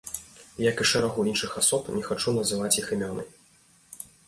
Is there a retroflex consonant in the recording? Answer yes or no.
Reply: yes